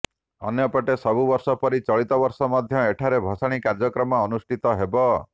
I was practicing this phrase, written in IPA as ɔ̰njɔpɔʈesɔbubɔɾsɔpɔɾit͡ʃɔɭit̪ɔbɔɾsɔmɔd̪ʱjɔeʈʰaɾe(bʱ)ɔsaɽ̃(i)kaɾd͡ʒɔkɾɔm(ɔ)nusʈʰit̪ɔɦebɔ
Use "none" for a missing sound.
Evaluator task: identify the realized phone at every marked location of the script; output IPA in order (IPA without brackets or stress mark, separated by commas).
bʱ, i, ɔː